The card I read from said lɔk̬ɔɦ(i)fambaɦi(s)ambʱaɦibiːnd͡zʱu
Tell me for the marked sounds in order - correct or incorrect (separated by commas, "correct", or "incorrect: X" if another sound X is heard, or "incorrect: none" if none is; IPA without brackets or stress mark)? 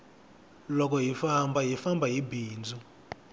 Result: correct, incorrect: f